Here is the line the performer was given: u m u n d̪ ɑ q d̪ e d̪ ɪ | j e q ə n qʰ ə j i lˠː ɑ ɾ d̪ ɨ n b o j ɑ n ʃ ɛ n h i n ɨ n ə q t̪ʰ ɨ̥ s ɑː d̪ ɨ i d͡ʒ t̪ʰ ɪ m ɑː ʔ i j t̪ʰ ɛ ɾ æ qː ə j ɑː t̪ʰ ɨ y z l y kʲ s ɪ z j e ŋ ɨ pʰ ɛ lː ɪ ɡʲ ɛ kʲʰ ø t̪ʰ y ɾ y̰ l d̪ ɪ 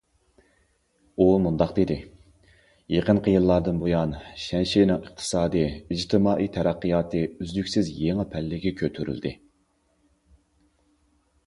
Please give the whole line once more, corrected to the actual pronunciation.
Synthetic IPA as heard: u m u n d̪ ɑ q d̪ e d̪ ɪ | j e q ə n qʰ ə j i lˠː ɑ ɾ d̪ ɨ n b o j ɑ n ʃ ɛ n ʃ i n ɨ ŋ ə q t̪ʰ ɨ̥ s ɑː d̪ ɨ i d͡ʒ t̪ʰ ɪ m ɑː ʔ i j t̪ʰ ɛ ɾ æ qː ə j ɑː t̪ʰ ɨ y z l y kʲ s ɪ z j e ŋ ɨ pʰ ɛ lː ɪ ɡʲ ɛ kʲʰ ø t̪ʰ y ɾ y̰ l d̪ ɪ